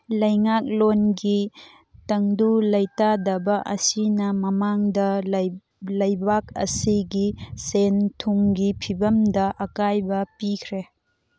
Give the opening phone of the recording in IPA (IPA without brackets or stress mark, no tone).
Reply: l